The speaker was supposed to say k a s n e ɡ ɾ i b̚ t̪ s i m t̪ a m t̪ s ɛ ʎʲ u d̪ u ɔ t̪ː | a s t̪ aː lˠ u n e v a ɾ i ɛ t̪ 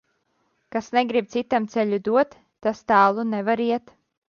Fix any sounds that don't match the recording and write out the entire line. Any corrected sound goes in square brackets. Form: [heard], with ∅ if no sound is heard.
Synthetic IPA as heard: k a s n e ɡ ɾ i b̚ t̪ s i [∅] t̪ a m t̪ s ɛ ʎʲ u d̪ u ɔ t̪ː | a s t̪ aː lˠ u n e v a ɾ i ɛ t̪